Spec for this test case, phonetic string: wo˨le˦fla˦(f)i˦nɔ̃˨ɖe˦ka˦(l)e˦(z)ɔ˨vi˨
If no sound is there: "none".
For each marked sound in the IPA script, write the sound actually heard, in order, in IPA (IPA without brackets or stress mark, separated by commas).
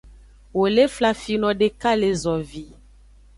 f, l, z